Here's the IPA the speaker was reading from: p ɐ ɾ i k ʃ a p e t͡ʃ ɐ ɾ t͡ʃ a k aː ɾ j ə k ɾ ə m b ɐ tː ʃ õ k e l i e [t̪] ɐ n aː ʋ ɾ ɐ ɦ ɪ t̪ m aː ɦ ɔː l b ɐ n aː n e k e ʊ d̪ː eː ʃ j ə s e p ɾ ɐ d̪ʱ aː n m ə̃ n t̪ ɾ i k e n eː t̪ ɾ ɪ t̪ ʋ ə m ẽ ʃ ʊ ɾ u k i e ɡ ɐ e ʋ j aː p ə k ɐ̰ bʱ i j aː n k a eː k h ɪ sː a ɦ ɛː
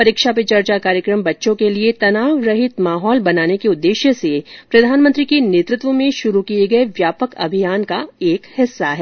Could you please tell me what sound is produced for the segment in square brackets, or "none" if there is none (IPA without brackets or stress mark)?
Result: t̪